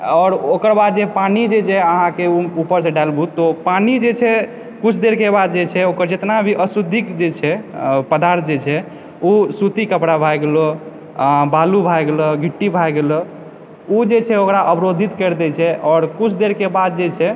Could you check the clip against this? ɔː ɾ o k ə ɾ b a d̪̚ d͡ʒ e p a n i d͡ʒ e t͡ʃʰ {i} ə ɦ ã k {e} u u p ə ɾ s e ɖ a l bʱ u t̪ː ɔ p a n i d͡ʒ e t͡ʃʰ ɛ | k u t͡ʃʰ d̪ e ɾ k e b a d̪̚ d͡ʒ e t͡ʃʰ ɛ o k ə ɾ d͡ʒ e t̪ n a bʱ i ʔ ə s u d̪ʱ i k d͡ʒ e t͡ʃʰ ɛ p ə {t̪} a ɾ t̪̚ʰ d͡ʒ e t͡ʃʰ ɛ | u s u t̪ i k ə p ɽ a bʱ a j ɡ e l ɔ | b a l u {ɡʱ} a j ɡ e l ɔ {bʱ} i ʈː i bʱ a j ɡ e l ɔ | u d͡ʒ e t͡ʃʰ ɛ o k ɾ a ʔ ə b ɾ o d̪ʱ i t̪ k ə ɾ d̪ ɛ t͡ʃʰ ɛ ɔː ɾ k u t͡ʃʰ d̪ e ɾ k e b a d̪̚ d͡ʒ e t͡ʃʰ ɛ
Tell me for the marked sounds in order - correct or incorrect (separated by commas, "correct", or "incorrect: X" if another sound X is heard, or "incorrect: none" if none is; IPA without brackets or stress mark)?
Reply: incorrect: ɛ, correct, incorrect: d̪, incorrect: bʱ, incorrect: ɡʱ